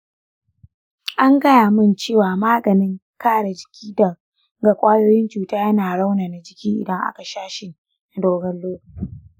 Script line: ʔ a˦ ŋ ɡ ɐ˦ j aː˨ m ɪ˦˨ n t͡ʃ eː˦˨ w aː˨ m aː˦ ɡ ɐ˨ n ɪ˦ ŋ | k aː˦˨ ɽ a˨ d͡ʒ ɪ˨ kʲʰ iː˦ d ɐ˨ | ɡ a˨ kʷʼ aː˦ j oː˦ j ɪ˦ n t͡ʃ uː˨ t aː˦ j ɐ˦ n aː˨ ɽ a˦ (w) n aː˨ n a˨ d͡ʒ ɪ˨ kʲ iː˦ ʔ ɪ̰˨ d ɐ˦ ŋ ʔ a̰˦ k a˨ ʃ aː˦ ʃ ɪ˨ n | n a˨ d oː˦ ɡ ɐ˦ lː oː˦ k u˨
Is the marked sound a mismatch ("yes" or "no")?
no